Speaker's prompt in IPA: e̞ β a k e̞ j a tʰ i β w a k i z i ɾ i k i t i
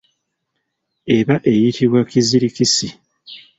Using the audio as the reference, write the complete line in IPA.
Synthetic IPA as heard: e̞ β a ʔ e̞ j i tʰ i β w a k i z i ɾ i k i s i